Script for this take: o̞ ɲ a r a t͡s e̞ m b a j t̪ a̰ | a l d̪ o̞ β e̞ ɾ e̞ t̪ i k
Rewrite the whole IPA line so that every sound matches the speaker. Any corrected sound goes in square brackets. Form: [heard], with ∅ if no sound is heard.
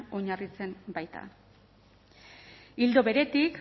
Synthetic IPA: o̞ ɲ a r [i] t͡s e̞ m b a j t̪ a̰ | [i] l d̪ o̞ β e̞ ɾ e̞ t̪ i k

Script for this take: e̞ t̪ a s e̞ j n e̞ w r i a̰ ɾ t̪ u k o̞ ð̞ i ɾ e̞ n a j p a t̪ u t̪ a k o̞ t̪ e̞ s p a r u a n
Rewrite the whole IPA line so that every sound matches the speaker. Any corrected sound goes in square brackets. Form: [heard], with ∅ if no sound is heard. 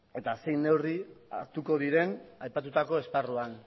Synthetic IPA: e̞ t̪ a s e̞ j n e̞ w r i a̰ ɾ t̪ u k o̞ ð̞ i ɾ e̞ n a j p a t̪ u t̪ a k o̞ [∅] e̞ s p a r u a n

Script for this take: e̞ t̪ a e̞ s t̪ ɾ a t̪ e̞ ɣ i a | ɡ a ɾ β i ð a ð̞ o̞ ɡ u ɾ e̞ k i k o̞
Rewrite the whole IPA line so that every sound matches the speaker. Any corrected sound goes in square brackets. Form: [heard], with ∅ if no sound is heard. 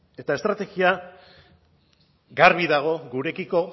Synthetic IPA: e̞ t̪ a e̞ s t̪ ɾ a t̪ e̞ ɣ i a | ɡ a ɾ β i ð a [ɣ̞] o̞ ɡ u ɾ e̞ k i k o̞

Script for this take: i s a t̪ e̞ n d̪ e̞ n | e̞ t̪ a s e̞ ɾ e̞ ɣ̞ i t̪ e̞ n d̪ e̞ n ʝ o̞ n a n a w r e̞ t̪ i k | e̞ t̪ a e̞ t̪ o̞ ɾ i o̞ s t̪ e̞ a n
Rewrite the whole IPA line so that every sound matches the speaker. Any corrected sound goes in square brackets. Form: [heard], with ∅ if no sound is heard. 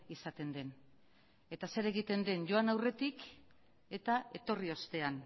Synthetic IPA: i s a t̪ e̞ n d̪ e̞ n | e̞ t̪ a s e̞ ɾ e̞ ɣ̞ i t̪ e̞ n d̪ e̞ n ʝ o̞ [∅] a n a w r e̞ t̪ i k | e̞ t̪ a e̞ t̪ o̞ [r] i o̞ s t̪ e̞ a n

